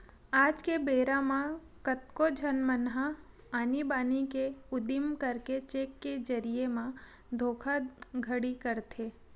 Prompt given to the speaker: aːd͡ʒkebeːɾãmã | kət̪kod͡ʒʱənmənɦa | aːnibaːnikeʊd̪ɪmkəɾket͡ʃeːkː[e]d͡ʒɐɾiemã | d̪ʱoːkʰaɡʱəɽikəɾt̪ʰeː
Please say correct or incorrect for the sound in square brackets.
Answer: correct